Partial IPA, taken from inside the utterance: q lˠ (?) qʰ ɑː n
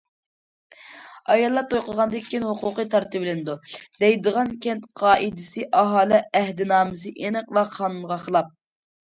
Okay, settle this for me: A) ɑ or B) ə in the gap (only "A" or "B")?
A